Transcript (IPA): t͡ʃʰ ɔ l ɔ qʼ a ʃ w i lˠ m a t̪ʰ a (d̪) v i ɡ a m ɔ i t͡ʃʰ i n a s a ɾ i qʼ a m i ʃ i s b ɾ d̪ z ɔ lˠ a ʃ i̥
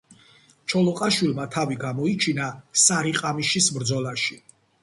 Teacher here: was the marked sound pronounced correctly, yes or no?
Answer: no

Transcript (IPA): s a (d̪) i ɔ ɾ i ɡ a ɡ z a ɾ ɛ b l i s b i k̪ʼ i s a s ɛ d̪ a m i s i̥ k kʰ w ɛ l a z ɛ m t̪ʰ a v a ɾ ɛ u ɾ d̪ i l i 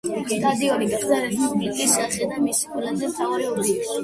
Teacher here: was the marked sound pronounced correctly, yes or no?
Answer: yes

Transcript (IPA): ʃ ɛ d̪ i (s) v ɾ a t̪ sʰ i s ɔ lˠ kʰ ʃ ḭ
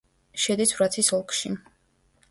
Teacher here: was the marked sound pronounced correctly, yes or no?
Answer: yes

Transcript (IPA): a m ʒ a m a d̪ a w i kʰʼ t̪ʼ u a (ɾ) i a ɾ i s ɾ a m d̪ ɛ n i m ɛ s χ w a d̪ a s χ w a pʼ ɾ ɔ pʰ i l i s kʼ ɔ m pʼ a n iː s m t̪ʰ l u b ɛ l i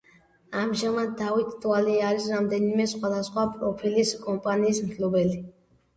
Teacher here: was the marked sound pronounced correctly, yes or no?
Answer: no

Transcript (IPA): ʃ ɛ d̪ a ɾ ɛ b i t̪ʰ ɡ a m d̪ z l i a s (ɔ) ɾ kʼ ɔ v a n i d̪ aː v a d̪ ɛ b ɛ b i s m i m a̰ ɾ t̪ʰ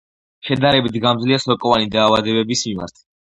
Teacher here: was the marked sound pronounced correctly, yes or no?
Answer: yes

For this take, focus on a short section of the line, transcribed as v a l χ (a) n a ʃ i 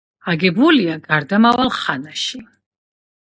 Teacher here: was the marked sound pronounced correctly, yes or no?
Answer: yes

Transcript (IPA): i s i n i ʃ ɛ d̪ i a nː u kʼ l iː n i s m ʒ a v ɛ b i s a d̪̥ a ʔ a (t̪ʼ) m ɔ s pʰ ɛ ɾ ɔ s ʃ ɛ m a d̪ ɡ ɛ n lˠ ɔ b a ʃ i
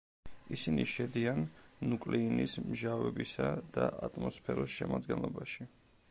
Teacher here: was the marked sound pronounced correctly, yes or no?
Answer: yes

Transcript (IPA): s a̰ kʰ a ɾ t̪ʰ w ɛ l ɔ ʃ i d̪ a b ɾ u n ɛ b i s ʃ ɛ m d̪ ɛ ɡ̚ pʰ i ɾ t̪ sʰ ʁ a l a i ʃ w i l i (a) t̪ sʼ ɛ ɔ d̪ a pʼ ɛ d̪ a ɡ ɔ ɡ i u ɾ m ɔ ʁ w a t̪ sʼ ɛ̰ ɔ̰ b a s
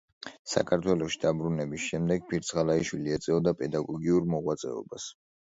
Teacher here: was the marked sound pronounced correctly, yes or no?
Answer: no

